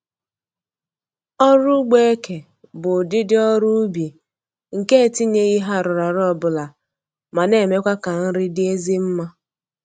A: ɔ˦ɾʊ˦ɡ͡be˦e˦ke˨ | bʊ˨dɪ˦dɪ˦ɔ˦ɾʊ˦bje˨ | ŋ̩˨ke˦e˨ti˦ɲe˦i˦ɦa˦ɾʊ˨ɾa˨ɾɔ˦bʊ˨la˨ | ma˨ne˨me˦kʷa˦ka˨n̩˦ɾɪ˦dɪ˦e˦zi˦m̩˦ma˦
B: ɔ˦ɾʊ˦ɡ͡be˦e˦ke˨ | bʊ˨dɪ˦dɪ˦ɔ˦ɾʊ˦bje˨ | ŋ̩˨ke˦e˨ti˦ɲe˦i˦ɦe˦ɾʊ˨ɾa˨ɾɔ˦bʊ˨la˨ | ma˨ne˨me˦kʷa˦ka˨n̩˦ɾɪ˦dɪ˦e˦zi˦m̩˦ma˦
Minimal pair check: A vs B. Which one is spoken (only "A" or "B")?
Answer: A